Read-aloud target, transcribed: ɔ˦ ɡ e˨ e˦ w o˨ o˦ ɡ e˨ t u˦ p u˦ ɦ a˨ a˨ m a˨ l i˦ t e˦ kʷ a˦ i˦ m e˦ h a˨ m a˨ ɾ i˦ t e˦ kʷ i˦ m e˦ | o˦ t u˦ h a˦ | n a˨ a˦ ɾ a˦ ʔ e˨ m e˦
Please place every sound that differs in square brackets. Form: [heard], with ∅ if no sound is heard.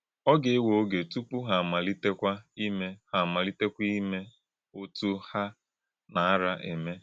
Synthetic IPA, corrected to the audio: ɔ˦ ɡ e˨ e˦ w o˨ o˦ ɡ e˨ t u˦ p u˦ ɦ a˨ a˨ m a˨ l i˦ t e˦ kʷ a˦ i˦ m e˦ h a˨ m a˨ [l] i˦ t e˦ kʷ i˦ m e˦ | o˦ t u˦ h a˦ | n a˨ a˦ ɾ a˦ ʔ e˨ m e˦